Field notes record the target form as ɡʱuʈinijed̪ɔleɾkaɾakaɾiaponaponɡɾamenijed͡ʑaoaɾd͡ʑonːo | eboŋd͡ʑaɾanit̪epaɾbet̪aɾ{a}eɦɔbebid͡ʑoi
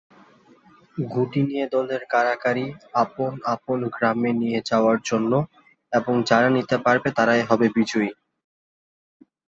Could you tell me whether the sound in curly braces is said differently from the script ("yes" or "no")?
no